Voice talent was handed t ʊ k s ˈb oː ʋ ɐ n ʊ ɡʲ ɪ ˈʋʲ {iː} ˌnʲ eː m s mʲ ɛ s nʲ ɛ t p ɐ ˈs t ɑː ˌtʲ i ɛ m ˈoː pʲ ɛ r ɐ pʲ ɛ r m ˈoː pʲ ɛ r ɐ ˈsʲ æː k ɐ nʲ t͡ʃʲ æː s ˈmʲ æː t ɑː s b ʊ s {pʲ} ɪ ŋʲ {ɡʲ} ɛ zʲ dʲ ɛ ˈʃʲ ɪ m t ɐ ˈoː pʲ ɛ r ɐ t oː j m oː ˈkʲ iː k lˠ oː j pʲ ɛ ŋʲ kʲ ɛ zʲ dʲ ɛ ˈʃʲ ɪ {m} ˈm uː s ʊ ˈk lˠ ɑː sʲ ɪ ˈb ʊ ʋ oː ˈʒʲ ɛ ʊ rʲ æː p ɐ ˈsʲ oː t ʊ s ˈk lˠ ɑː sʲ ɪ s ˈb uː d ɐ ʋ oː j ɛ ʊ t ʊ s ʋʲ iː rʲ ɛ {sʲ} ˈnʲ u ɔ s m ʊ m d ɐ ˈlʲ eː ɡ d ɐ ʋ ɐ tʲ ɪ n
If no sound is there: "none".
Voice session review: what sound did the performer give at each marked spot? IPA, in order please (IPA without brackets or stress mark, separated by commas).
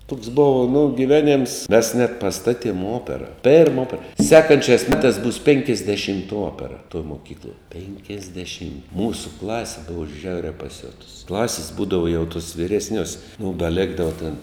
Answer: æː, pʲ, kʲ, m, sʲ